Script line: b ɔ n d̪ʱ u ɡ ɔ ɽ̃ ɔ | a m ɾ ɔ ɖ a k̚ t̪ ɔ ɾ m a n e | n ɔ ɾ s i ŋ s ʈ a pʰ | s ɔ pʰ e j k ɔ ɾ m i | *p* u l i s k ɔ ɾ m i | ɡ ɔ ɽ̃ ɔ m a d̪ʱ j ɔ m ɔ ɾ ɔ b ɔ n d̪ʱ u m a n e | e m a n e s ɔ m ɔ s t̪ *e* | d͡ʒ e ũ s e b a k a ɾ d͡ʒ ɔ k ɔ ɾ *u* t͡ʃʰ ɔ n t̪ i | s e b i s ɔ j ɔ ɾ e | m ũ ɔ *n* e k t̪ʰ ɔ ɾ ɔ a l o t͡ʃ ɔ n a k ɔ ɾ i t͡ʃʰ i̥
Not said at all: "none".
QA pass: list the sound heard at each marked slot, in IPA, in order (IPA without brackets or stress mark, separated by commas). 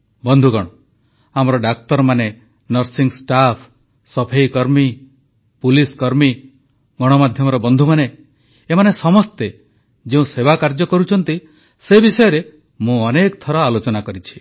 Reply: p, e, u, n